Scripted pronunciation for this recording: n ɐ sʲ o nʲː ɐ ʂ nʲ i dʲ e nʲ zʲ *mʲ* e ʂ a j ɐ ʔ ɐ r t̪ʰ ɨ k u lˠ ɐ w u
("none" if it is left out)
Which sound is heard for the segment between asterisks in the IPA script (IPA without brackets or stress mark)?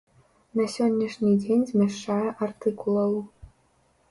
mʲ